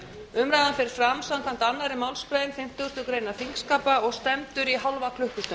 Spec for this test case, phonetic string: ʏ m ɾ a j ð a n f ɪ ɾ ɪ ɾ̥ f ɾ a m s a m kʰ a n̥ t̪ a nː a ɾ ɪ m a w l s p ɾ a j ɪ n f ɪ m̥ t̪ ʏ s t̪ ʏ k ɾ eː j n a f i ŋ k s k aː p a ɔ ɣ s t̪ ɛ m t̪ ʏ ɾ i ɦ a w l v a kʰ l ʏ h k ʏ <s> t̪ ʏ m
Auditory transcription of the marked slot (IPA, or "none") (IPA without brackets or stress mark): s